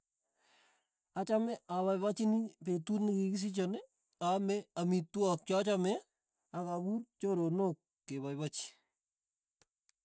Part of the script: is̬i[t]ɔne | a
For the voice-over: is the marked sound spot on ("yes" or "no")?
no